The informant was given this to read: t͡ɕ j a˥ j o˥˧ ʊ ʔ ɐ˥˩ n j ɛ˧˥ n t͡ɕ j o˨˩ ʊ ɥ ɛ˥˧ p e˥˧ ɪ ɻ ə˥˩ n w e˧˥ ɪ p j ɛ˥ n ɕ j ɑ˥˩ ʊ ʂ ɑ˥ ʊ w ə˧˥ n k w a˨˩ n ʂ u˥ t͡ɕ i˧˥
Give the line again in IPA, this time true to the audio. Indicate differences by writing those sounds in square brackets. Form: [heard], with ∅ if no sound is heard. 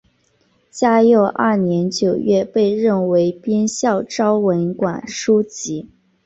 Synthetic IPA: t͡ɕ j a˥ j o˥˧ ʊ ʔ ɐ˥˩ n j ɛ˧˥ n t͡ɕ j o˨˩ ʊ ɥ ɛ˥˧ p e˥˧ ɪ ɻ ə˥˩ n w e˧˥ ɪ p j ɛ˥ n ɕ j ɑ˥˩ ʊ [ʈ͡ʂ] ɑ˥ ʊ w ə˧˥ n k w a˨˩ n ʂ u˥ t͡ɕ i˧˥